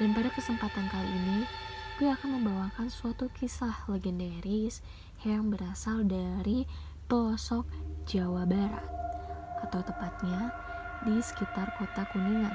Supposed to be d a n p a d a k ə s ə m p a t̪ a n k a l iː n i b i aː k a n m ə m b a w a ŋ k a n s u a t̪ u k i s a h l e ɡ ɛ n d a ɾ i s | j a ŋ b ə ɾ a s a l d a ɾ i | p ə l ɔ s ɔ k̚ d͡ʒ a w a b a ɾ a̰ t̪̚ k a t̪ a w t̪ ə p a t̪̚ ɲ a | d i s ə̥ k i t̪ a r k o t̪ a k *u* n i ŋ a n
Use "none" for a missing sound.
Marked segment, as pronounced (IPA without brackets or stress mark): u